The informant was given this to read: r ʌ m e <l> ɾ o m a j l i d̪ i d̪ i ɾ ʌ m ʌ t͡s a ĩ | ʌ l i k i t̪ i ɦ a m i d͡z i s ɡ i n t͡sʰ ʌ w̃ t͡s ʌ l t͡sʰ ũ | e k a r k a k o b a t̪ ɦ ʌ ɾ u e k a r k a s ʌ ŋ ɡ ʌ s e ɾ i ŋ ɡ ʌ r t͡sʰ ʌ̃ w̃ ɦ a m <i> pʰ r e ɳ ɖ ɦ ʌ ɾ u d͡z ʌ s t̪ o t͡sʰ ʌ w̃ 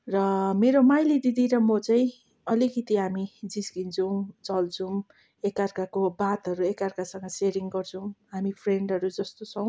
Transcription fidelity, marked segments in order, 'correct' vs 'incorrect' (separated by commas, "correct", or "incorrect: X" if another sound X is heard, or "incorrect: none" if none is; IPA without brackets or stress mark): incorrect: none, correct